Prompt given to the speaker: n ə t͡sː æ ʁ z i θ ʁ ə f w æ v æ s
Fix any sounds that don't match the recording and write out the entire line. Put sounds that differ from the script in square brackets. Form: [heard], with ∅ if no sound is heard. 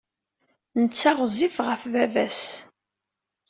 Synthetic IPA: n ə t͡sː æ ʁ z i [f] ʁ ə f [v] æ v æ s